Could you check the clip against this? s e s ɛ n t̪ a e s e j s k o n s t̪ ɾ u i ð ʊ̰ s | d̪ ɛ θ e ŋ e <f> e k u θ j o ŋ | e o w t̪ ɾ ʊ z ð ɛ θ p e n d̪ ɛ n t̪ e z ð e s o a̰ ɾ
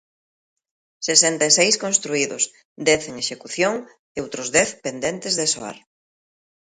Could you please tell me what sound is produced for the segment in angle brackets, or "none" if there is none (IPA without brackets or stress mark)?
ʃ